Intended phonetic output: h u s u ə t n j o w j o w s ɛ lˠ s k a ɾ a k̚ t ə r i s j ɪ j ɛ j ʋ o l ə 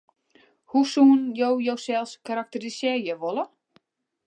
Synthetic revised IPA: h u s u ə n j o w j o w s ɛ lˠ s k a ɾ a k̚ t ə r i s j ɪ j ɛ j ʋ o l ə